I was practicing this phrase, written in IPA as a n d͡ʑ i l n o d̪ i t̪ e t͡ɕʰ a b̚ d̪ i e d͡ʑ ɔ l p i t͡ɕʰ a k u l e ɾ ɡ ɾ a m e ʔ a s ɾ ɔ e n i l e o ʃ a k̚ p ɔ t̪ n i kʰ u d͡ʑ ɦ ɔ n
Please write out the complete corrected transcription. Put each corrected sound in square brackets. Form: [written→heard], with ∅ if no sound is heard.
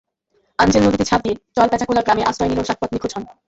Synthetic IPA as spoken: a n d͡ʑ [i→e] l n o d̪ i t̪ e t͡ɕʰ a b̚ d̪ i e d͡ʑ ɔ l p [i→ɛ] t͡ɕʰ a k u l [e→a] ɾ ɡ ɾ a m e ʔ a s ɾ ɔ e n i l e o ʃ a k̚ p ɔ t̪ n i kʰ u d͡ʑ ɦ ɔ n